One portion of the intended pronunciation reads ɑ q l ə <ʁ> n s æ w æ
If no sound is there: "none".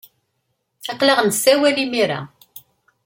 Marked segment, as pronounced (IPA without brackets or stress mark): ʁ